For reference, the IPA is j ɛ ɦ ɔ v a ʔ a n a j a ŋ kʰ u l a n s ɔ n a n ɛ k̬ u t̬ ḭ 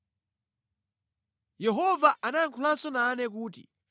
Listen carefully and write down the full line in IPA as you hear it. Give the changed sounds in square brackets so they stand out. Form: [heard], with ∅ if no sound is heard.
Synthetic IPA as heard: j ɛ ɦ ɔ v a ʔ a n a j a ŋ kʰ u l a n s ɔ n a n ɛ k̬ [uː] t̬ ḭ